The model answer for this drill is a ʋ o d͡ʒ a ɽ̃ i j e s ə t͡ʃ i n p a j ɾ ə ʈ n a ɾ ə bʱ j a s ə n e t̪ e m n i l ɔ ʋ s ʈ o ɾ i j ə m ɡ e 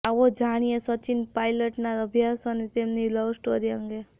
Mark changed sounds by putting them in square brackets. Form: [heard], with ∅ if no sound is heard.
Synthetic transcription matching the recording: a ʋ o d͡ʒ a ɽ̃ i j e s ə t͡ʃ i n p a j [l] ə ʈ n a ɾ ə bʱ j a s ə n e t̪ e m n i l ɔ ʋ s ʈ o ɾ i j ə [ŋ] ɡ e